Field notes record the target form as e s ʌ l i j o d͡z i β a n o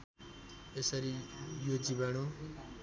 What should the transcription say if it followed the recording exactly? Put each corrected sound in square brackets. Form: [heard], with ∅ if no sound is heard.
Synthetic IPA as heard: e s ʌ [ɾ] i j o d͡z i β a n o